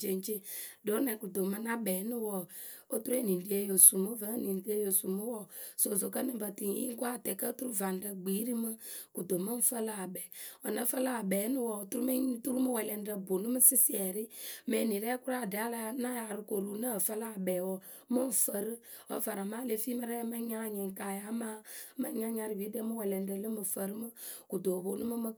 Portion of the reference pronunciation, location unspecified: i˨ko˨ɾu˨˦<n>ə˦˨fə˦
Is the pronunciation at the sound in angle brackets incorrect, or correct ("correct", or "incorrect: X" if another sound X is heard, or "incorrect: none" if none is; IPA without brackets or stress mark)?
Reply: correct